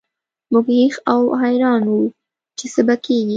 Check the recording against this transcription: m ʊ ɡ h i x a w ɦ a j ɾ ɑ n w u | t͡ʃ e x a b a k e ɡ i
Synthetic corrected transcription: m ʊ ɡ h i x a w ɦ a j ɾ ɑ n w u | t͡ʃ e s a b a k e ɡ i